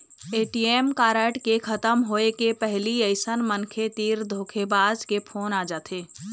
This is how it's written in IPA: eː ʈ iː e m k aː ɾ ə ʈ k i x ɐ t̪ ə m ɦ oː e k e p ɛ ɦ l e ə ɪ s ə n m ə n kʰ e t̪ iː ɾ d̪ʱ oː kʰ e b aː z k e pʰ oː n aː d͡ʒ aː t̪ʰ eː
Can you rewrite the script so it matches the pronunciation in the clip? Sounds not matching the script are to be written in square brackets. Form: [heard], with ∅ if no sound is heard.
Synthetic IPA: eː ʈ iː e m k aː ɾ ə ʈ k [e] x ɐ t̪ ə m ɦ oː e k e p ɛ ɦ l [i] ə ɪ s ə n m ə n kʰ e t̪ iː ɾ d̪ʱ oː kʰ e b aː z k e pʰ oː n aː d͡ʒ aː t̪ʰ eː